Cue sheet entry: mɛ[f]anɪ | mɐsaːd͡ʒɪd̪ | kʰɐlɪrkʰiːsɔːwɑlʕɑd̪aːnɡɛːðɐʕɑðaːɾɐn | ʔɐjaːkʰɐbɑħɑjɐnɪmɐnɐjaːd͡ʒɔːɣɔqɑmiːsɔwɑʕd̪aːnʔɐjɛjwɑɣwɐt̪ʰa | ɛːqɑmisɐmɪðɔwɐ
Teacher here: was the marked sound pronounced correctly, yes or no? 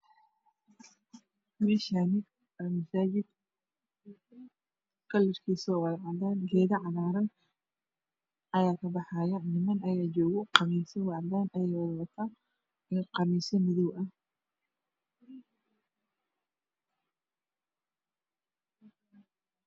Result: no